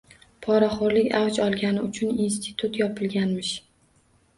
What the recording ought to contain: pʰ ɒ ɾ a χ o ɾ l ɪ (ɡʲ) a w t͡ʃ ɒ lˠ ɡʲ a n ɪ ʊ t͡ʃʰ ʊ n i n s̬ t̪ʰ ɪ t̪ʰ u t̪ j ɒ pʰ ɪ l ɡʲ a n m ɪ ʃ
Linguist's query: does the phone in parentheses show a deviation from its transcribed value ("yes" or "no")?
yes